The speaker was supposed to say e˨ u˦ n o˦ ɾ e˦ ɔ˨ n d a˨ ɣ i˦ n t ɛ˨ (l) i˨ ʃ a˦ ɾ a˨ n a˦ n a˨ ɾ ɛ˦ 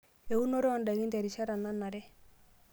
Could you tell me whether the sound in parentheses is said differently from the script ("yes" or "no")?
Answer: yes